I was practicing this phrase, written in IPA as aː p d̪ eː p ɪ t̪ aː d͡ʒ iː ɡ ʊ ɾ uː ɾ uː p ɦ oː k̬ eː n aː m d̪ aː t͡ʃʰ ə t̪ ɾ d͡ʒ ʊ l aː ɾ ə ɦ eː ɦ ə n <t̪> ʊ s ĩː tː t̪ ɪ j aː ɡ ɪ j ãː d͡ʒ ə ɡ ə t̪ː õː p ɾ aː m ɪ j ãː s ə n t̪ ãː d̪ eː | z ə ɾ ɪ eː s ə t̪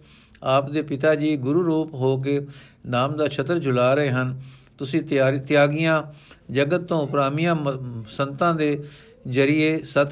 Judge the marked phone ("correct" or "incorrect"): correct